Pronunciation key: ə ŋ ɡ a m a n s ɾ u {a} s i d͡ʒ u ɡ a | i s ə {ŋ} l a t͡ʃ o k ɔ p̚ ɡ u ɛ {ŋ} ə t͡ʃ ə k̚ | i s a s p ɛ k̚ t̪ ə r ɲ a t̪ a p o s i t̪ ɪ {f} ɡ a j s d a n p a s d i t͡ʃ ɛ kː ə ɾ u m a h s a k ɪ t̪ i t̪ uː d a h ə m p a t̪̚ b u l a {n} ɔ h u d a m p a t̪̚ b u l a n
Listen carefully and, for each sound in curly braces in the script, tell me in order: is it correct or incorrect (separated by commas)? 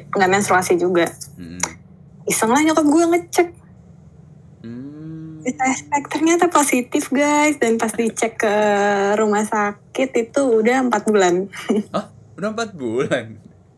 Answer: correct, correct, correct, correct, correct